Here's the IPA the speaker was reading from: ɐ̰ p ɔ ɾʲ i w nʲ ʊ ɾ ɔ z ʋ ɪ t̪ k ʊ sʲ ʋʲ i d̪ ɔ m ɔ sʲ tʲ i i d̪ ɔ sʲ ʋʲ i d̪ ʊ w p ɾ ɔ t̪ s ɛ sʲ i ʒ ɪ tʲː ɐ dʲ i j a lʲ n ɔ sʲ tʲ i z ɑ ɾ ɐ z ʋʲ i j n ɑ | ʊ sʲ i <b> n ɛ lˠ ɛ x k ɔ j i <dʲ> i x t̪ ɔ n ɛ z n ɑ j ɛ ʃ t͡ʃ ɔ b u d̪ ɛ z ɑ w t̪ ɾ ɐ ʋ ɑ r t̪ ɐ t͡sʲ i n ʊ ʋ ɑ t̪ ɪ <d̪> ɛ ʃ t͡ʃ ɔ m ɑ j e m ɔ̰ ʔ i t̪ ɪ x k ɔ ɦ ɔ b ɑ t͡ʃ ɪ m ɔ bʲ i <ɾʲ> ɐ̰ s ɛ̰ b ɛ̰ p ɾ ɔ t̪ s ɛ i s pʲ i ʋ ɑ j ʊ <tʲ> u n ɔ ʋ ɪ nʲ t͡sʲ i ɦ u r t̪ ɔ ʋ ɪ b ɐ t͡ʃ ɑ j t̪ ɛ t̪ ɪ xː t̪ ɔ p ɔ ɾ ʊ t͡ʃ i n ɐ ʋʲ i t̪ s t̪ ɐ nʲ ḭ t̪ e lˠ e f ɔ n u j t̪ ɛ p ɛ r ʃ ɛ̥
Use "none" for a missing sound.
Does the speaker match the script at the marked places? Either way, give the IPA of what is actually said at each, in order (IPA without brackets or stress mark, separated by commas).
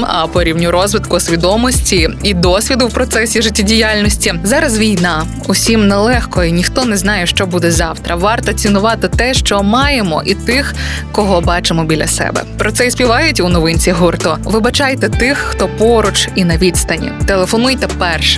m, nʲ, t̪, lʲ, tʲ